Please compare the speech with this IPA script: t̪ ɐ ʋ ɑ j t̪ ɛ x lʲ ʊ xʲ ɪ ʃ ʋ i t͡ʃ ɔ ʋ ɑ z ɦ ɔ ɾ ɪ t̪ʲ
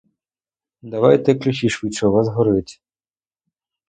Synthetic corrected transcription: d̪ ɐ ʋ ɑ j t̪ ɛ k lʲ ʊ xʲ i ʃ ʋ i t͡ʃ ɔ ʋ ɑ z ɦ ɔ ɾ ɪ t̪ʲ